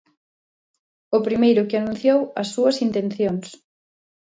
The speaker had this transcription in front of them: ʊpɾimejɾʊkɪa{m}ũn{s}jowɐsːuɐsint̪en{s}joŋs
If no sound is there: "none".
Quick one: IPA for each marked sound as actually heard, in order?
n, θ, θ

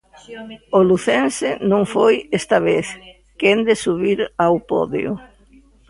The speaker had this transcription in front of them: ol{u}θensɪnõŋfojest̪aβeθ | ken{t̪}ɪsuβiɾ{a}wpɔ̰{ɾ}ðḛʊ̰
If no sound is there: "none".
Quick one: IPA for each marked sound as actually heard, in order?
u, d̪, a, none

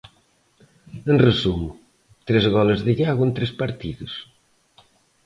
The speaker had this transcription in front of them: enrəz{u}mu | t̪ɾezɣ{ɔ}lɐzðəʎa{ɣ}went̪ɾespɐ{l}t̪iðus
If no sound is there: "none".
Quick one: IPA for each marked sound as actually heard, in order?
u, ɔ, ɣ, ɾ

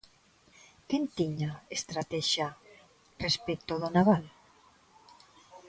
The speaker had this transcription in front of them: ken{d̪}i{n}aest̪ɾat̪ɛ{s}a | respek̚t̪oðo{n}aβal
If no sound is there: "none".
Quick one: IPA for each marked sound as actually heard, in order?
t̪, ɲ, ʃ, n

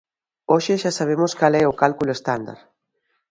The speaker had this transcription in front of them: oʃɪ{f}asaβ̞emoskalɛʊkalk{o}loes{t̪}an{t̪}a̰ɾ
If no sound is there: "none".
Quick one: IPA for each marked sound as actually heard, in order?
ʃ, u, t̪, d̪

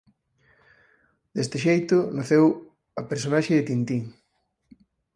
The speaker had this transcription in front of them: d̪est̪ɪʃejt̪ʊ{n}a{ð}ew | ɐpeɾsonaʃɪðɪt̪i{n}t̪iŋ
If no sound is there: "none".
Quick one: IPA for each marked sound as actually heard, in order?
n, θ, n

